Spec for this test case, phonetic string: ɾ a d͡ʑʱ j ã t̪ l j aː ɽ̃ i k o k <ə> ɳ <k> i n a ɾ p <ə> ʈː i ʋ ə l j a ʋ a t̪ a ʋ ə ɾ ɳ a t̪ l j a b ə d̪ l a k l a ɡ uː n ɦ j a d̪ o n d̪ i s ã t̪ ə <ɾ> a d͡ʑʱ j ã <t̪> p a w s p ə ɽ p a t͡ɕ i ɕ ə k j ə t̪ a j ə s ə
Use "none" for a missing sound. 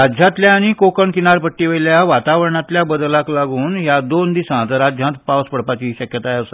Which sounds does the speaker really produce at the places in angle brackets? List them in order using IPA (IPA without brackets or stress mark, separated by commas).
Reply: ə, k, ə, ɾ, t̪